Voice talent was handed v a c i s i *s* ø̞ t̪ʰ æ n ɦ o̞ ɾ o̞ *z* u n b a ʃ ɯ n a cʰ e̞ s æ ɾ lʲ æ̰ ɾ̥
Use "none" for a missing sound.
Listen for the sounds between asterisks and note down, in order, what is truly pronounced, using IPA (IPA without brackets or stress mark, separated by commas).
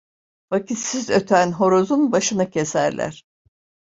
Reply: z, z